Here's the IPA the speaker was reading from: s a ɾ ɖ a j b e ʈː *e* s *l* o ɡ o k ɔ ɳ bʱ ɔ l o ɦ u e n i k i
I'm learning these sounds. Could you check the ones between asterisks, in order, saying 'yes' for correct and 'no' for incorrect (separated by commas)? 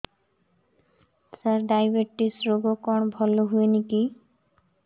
no, no